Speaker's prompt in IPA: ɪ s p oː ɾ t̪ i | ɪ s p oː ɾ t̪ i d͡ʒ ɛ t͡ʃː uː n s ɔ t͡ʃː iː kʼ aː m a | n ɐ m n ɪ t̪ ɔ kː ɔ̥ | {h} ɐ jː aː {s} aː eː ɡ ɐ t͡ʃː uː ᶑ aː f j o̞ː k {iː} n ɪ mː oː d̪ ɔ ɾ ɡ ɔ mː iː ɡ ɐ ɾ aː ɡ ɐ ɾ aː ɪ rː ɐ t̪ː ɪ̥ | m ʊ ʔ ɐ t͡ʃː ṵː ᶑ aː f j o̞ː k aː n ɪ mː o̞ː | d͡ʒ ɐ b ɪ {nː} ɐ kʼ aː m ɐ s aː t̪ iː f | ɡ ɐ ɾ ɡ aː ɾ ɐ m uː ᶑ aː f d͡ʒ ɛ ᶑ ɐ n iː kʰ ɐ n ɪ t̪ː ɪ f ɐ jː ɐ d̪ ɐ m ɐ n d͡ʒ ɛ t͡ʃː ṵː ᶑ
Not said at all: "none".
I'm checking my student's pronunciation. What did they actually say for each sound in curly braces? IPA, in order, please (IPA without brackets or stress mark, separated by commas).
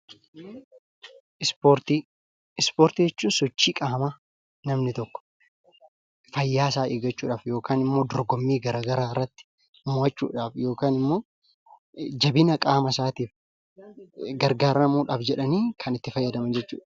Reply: f, s, aː, n